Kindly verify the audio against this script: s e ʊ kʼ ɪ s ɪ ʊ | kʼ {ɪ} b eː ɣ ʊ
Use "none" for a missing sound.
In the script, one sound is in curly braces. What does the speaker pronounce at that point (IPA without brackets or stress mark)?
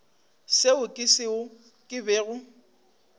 ɪ